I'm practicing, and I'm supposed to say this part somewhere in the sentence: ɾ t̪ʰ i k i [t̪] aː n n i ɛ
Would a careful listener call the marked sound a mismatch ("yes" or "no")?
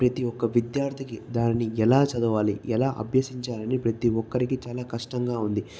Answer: yes